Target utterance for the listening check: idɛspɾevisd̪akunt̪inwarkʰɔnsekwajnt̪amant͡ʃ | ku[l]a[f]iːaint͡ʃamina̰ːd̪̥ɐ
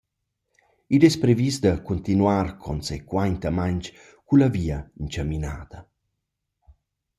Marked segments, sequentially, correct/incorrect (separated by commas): correct, incorrect